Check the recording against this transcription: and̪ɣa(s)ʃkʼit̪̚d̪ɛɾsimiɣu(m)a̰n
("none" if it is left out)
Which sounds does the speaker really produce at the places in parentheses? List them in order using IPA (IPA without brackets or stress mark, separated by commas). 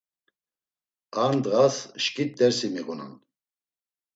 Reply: s, n